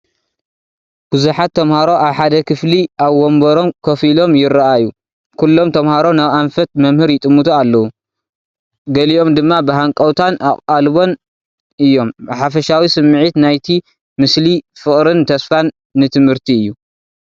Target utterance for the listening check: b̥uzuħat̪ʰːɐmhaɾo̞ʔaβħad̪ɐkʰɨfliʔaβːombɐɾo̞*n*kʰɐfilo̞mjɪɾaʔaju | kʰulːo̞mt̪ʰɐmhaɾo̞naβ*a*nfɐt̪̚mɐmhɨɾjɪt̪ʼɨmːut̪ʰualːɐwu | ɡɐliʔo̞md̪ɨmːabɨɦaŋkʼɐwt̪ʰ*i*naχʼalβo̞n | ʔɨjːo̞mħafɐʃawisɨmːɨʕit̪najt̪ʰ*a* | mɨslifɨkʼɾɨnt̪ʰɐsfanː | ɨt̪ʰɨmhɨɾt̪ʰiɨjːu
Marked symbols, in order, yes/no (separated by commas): no, yes, no, no